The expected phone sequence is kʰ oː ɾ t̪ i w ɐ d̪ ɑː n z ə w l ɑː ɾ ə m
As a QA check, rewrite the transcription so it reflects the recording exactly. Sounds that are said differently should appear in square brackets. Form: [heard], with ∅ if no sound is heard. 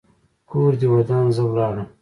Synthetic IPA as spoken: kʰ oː ɾ [d̪] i w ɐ d̪ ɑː n z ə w l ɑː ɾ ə m